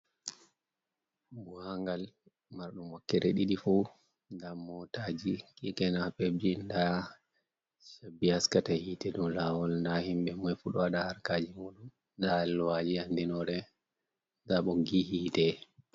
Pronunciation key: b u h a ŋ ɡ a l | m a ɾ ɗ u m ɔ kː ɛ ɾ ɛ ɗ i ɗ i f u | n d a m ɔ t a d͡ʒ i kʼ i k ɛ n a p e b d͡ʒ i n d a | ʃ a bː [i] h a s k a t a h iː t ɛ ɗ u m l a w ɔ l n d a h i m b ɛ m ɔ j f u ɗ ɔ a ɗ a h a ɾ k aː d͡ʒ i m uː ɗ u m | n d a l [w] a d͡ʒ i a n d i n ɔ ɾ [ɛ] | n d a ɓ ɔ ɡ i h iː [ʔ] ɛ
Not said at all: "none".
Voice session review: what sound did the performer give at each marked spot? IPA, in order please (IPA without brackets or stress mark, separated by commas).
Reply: i, w, ɛ, t